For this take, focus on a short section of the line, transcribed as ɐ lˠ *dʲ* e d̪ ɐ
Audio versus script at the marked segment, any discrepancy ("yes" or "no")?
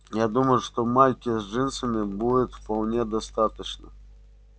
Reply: yes